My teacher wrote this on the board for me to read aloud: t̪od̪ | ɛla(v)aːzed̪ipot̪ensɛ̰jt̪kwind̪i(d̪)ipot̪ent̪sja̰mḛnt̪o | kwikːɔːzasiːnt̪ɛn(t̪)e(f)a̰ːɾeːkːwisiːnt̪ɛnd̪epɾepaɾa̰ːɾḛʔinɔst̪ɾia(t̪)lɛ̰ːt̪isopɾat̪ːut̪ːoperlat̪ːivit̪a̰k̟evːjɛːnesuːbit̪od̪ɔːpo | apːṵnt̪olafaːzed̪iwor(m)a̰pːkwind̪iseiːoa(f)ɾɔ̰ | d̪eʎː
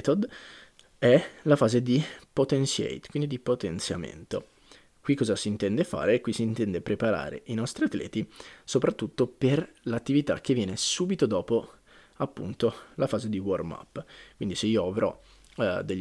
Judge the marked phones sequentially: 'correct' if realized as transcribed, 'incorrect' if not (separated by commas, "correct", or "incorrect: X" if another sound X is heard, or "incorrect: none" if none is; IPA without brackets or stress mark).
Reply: incorrect: f, correct, incorrect: d̪, correct, correct, correct, incorrect: v